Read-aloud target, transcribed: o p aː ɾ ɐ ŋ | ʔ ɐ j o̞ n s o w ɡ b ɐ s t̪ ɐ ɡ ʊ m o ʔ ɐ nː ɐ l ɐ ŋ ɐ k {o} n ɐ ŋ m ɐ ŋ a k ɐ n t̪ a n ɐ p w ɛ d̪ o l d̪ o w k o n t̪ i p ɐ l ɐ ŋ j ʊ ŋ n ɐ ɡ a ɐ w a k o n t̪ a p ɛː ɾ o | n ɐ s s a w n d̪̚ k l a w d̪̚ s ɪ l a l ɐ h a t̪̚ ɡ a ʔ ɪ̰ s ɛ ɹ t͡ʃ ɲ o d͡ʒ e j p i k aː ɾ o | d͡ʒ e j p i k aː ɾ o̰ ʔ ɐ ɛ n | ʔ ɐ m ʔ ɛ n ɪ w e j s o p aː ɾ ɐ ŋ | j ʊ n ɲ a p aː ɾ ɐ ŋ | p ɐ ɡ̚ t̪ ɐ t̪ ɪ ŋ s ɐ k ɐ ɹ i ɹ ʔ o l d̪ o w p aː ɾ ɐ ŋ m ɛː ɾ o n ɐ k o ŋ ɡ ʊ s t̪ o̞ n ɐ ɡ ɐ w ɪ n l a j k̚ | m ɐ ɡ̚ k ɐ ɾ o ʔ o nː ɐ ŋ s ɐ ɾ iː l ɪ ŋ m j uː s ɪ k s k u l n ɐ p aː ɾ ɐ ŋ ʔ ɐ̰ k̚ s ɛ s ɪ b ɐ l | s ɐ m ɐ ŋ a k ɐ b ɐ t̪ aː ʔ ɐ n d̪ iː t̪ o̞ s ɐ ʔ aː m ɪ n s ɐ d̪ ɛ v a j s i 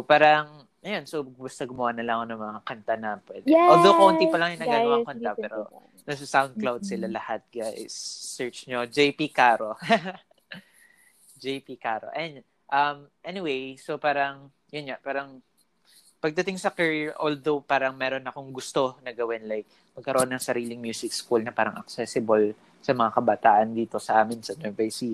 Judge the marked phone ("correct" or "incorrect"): correct